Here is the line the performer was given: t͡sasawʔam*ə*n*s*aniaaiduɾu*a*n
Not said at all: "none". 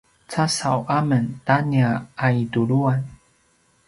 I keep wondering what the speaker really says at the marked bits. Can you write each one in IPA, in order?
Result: ə, t, a

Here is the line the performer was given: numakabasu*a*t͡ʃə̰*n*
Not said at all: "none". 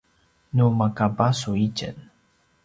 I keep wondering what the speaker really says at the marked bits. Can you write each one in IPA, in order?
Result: i, n

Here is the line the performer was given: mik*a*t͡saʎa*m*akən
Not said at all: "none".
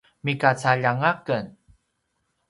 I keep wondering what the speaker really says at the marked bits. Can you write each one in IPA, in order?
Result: a, ŋ

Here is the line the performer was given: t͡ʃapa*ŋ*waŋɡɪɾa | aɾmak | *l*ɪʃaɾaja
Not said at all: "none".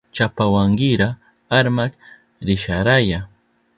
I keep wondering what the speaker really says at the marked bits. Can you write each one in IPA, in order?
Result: none, ɾ

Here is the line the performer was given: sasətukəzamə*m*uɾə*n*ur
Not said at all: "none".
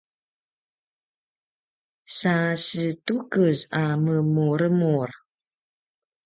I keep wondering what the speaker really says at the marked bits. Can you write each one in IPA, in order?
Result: m, m

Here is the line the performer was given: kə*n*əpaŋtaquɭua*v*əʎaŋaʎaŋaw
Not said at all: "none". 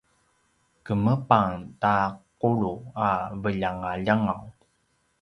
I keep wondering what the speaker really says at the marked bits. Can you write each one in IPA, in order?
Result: m, v

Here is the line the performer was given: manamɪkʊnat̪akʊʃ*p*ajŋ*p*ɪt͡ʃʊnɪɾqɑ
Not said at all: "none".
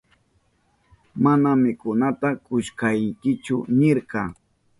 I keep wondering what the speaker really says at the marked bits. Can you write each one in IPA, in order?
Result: k, k

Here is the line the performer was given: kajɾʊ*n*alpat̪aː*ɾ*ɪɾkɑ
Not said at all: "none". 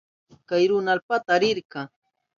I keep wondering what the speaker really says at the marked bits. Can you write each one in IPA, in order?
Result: n, ɾ

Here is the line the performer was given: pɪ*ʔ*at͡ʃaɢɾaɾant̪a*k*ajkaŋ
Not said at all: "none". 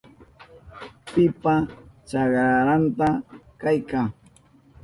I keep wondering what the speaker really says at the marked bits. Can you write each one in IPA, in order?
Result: p, k

